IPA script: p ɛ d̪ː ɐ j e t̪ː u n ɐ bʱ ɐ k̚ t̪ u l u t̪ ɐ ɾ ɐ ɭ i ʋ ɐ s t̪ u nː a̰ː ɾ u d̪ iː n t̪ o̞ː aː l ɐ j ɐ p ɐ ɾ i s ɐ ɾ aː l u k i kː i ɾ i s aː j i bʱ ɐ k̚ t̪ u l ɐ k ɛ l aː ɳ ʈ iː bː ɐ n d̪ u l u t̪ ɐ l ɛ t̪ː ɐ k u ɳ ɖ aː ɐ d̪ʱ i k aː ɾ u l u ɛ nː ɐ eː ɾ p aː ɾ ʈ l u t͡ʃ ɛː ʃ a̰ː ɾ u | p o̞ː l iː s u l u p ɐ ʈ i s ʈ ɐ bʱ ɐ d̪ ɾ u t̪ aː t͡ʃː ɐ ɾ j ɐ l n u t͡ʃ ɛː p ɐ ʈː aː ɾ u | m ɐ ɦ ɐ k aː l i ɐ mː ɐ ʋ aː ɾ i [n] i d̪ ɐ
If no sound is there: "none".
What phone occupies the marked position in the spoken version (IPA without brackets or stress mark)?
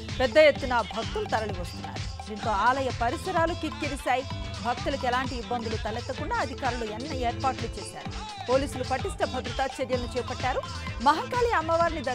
n